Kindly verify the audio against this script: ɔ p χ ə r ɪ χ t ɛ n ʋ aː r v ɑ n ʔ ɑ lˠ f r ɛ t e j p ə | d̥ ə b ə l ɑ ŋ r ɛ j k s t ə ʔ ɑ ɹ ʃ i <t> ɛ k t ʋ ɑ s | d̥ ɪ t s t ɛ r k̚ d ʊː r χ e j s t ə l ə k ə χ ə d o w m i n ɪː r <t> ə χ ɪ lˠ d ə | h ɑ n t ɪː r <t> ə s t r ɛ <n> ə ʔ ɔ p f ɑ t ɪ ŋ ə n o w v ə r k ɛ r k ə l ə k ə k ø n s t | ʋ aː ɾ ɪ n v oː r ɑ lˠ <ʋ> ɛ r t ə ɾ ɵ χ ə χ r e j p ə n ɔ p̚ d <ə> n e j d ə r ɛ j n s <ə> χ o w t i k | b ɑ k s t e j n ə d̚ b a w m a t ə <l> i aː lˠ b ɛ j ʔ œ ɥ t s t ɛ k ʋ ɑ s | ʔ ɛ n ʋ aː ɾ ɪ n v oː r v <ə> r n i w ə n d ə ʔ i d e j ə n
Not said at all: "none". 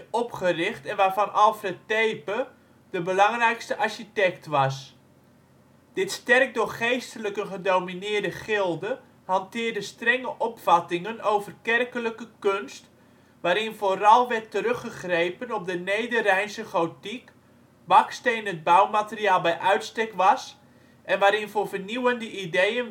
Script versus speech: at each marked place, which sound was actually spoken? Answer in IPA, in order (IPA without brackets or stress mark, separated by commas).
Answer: t, d, d, ŋ, ʋ, ə, ə, r, ə